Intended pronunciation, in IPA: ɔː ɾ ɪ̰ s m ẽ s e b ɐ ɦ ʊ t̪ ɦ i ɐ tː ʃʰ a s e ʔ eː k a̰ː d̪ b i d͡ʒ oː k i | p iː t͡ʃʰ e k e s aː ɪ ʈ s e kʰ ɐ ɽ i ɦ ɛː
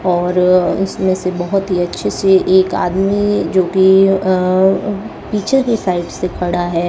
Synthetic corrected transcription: ɔː ɾ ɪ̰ s m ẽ s e b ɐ ɦ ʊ t̪ ɦ i ɐ tː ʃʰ e s e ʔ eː k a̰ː d̪ m i d͡ʒ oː k i | p iː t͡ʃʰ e k e s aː ɪ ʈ s e kʰ ɐ ɽ a ɦ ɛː